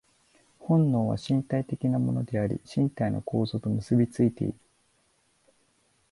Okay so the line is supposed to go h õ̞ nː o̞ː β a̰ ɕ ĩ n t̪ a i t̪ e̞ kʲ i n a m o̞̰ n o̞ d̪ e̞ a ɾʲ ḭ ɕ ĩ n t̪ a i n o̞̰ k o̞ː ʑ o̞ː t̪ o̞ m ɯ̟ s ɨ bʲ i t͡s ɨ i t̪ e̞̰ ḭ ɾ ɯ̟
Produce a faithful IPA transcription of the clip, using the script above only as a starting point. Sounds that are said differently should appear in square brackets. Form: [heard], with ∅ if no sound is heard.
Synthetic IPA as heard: h õ̞ nː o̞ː β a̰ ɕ ĩ n t̪ a i t̪ e̞ kʲ i n a m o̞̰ n o̞ d̪ e̞ a ɾʲ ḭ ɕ ĩ n t̪ a i n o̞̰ k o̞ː [z] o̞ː t̪ o̞ m ɯ̟ s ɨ bʲ i t͡s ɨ i t̪ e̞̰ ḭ ɾ ɯ̟